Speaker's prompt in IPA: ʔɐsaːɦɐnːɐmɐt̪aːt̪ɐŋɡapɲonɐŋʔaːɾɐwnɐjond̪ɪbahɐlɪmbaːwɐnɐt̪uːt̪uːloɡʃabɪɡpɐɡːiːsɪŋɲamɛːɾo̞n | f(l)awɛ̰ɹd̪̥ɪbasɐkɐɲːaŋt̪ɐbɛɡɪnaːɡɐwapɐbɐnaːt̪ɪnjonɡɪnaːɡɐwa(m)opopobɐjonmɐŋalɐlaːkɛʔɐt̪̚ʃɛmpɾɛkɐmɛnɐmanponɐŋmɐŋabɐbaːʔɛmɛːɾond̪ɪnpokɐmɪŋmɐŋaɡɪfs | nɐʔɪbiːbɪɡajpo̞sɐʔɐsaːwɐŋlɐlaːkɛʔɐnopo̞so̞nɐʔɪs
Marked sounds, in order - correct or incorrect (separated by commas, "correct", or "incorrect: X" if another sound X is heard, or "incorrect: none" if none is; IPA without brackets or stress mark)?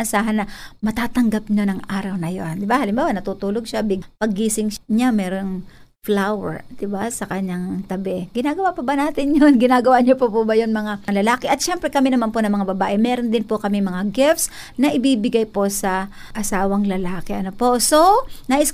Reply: correct, incorrect: ɲ